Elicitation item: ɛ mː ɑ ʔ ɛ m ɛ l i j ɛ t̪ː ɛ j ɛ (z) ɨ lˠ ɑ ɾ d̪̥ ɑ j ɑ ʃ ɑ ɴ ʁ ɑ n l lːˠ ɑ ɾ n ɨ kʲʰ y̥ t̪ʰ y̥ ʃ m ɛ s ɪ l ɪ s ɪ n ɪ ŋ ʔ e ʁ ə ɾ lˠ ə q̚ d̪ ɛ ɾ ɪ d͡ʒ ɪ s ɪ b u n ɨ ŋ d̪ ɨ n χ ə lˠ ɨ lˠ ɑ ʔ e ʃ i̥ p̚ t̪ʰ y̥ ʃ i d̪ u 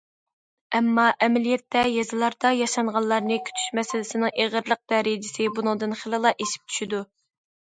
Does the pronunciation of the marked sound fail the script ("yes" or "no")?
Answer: no